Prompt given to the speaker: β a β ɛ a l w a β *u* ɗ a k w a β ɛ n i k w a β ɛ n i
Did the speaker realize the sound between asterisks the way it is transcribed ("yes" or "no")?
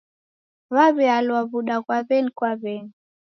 yes